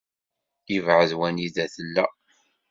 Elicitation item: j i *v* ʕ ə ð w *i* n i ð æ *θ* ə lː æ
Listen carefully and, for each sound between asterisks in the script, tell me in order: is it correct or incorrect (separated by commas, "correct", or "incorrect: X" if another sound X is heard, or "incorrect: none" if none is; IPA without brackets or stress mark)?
correct, incorrect: æ, correct